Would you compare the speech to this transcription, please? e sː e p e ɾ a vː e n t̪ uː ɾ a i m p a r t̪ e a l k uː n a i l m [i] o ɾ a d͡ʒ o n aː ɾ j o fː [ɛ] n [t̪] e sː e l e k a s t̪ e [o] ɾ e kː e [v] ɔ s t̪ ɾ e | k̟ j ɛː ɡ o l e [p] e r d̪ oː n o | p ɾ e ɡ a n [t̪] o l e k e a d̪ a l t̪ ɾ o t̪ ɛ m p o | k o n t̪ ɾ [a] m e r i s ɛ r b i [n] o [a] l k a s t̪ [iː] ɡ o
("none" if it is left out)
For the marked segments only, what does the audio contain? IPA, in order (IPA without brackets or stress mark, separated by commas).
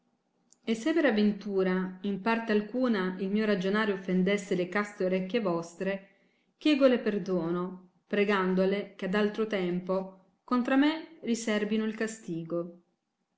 iː, e, d̪, o, v, p, d̪, a, n, i, iː